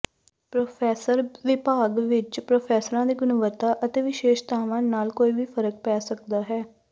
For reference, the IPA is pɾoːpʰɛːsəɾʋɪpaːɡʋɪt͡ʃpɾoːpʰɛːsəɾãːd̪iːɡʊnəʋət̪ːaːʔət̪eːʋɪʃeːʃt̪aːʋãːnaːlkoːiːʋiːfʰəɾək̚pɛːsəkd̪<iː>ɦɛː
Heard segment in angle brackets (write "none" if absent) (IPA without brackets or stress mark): aː